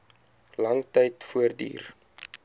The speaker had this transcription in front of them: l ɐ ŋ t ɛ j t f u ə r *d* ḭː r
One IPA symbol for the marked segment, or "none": d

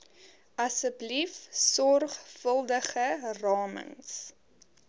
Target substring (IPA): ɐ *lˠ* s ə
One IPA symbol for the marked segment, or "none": none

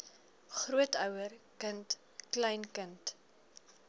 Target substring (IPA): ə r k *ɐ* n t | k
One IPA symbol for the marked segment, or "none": ə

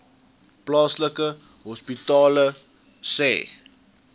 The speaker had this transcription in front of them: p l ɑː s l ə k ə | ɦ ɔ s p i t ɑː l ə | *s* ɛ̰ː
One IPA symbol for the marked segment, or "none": s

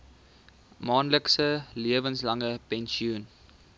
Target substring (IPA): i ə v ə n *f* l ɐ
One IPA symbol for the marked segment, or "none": s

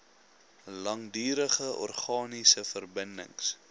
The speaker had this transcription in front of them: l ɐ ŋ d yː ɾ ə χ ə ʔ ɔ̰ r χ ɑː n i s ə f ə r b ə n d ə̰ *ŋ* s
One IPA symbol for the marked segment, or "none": ŋ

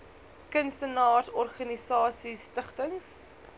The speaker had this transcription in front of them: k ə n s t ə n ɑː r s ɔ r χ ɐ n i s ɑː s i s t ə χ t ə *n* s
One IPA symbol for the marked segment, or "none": ŋ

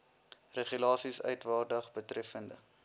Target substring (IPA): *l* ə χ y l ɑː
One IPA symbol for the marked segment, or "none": r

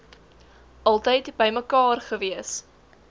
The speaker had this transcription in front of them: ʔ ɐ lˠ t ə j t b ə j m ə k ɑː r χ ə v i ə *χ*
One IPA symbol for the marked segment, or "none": s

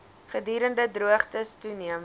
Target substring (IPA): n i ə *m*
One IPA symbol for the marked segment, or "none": m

